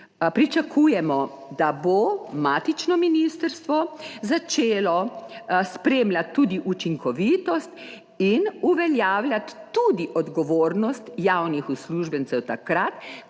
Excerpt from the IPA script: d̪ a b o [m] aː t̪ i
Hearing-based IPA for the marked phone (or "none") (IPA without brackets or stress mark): m